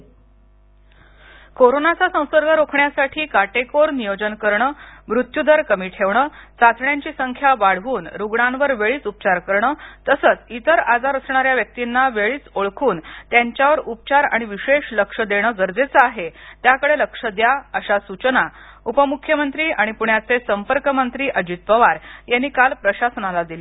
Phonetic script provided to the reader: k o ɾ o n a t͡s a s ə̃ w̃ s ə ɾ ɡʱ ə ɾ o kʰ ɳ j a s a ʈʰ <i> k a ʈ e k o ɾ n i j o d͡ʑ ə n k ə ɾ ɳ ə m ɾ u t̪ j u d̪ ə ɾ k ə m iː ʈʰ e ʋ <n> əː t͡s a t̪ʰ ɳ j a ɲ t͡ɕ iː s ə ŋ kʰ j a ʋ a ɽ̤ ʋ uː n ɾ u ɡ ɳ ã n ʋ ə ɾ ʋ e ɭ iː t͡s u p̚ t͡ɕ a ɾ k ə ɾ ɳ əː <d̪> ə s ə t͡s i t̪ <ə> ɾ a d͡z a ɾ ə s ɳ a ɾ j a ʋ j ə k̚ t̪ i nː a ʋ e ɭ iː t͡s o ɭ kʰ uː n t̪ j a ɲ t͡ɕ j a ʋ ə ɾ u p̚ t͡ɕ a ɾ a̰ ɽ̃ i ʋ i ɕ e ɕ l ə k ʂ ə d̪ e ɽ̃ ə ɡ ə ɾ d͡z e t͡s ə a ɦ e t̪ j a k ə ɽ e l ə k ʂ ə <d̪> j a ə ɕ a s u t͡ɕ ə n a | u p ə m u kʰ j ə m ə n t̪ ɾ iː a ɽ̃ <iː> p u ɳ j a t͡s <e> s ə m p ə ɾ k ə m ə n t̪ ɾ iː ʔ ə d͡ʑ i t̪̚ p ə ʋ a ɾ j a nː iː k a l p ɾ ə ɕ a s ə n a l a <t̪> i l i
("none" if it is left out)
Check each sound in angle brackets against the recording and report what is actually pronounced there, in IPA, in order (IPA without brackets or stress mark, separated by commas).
iː, ɳ, t̪, ə, d̪, i, e, d̪